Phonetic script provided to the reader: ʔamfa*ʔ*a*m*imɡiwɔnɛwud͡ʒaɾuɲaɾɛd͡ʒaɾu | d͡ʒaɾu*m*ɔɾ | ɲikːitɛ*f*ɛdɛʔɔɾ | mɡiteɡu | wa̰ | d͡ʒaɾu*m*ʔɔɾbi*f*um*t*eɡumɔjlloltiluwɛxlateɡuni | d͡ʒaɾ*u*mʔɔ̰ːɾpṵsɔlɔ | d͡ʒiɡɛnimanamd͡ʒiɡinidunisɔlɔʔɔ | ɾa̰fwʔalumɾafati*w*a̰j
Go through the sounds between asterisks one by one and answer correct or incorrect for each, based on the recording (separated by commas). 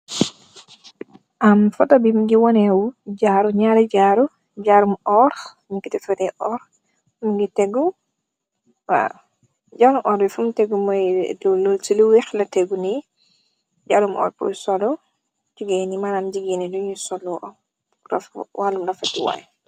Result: incorrect, incorrect, correct, correct, correct, correct, correct, correct, correct